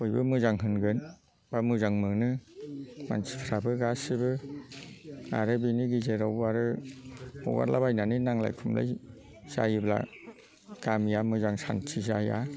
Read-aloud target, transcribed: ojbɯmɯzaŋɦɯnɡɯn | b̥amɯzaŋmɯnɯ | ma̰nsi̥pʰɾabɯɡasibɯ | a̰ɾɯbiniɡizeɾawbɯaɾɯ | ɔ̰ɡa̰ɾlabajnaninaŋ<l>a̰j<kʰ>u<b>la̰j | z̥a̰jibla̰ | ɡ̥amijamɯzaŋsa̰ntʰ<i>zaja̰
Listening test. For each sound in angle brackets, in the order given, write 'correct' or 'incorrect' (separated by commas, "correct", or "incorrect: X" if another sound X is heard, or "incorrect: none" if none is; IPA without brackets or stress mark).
correct, correct, incorrect: m, correct